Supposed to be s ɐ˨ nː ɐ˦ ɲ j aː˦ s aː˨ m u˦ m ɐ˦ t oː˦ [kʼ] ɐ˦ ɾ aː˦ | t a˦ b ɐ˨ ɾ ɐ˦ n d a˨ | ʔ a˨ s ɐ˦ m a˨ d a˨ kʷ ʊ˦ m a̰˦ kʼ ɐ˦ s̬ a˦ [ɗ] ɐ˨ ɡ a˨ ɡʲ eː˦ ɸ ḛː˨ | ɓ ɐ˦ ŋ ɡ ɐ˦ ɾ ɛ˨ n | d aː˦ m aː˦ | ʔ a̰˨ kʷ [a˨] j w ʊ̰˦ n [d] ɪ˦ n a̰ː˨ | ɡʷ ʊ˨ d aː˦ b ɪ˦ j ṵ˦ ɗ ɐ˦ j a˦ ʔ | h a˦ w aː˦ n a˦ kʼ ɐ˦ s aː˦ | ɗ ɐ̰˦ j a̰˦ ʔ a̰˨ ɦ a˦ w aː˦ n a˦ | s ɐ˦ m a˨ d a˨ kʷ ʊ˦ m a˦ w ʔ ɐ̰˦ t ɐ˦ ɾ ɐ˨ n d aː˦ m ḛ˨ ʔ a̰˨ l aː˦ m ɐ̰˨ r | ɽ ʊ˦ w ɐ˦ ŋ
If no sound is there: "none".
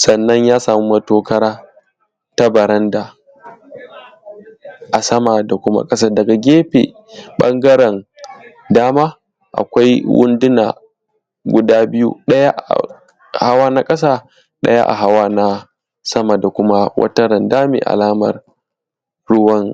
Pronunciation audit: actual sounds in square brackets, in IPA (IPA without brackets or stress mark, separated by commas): k, d, a˦, d